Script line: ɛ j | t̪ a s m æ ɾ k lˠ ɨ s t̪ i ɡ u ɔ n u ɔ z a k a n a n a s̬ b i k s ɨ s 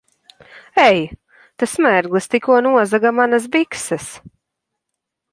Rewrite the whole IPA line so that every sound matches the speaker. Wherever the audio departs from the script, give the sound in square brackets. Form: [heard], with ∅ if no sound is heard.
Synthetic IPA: ɛ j | t̪ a s m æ ɾ [ɡ] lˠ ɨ s t̪ i [k] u ɔ n u ɔ z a [ɡ] a [m] a n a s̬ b i k s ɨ s